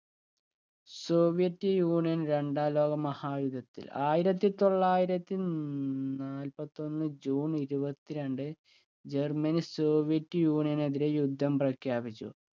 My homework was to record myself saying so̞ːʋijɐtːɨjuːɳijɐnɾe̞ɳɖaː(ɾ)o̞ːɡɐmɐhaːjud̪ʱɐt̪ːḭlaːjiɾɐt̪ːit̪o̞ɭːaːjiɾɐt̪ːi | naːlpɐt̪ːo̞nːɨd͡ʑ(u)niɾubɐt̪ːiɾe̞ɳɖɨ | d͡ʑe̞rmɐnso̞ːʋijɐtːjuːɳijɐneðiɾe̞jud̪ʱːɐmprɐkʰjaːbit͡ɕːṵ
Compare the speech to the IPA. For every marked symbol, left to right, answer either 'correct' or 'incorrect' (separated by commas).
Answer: incorrect, incorrect